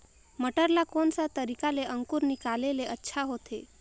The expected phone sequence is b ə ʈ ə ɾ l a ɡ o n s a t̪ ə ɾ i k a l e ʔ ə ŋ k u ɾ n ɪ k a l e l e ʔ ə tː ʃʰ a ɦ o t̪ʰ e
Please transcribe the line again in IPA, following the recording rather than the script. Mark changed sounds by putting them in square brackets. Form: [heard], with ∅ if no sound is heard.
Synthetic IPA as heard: [m] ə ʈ ə ɾ l a [k] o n s a t̪ ə ɾ i k a l e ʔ ə ŋ k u ɾ n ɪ k a l e l e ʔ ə tː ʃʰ a ɦ o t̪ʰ e